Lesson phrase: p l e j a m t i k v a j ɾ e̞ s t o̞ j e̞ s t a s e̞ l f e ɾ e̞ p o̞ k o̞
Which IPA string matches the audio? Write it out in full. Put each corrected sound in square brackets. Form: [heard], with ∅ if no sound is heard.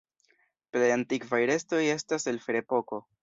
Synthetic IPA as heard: p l e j a [n] t i k v a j ɾ e̞ s t o̞ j e̞ s t a s e̞ l f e ɾ e̞ p o̞ k o̞